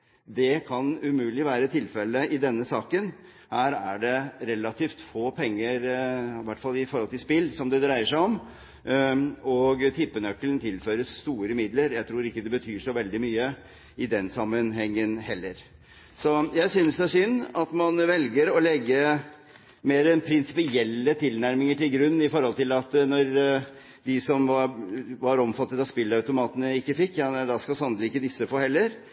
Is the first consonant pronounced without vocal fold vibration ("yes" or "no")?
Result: no